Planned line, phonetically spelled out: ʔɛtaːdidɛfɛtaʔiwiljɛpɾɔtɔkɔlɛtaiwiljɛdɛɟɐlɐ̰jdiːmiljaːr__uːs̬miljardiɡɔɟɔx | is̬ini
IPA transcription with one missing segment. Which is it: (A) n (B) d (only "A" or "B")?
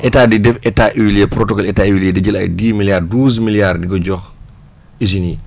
B